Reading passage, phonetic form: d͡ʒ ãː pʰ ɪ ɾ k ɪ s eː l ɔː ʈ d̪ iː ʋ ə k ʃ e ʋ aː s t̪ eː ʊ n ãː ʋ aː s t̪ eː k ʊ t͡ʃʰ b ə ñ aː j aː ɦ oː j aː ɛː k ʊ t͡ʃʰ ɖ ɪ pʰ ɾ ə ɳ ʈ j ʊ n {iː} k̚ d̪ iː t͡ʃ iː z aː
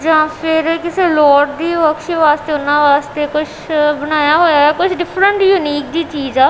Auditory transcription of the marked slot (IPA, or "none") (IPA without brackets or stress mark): iː